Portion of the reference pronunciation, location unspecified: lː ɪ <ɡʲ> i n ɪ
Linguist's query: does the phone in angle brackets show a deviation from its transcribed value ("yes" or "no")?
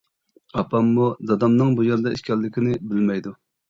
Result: yes